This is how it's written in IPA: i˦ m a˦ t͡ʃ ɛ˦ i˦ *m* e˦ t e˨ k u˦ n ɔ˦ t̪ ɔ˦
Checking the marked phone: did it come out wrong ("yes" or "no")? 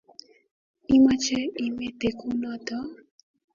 no